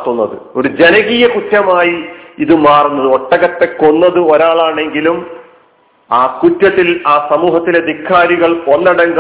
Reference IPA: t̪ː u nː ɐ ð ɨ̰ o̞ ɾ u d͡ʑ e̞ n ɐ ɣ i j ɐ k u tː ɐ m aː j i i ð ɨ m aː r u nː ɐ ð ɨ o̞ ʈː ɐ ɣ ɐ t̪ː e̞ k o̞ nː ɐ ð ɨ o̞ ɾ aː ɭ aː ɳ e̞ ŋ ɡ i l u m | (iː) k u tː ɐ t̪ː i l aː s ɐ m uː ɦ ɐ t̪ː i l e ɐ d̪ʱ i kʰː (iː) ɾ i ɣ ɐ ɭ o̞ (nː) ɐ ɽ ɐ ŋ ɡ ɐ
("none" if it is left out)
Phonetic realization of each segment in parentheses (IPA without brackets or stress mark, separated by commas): aː, aː, nː